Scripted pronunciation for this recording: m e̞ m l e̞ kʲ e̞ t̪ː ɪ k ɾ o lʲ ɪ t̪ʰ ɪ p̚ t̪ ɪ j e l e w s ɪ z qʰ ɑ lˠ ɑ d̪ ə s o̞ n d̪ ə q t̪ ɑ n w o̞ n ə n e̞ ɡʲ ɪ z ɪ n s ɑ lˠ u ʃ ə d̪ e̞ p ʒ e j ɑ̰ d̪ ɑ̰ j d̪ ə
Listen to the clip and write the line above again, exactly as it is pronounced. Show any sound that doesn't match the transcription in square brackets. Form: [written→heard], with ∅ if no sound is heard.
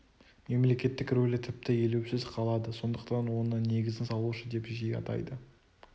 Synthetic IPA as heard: m e̞ m l e̞ kʲ e̞ t̪ː ɪ k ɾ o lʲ ɪ t̪ʰ ɪ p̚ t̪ ɪ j e l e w s ɪ z qʰ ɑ lˠ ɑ d̪ ə s o̞ n d̪ ə q t̪ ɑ n w o̞ n ə n e̞ ɡʲ ɪ z ɪ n s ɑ lˠ u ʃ ə d̪ e̞ p ʒ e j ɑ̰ [d̪→t̪] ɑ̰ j d̪ ə